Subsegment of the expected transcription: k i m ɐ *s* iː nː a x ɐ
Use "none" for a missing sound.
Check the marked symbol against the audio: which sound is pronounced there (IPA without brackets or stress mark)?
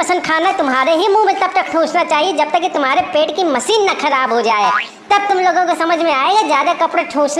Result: s